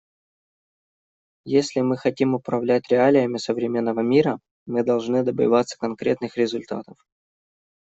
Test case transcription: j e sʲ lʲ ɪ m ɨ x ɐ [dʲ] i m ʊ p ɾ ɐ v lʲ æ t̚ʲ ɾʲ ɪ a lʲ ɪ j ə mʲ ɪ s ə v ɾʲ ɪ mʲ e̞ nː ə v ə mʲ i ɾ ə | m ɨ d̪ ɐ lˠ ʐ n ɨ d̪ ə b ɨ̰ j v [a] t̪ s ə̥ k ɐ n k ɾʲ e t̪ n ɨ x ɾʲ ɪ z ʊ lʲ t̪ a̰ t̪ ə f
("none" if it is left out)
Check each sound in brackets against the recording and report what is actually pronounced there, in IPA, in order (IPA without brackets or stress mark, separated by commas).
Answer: tʲ, a